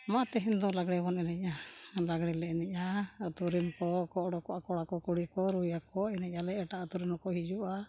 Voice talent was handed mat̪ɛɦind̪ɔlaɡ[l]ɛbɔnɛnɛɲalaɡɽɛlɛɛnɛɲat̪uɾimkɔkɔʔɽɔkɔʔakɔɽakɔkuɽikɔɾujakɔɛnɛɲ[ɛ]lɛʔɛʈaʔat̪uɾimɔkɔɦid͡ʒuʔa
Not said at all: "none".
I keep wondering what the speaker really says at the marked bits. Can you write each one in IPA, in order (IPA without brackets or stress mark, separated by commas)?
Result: ɽ, a